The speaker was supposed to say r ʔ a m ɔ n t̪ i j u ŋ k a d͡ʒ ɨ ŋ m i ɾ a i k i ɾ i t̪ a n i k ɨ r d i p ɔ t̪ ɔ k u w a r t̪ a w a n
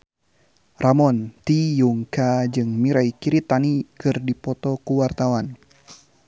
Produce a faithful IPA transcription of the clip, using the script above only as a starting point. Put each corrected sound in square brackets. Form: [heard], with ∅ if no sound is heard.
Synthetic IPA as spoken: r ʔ a m ɔ n t̪ i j u ŋ k a d͡ʒ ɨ ŋ m i ɾ a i k i ɾ i t̪ a n i k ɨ r d i p ɔ t̪ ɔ k u w a r t̪ a w a n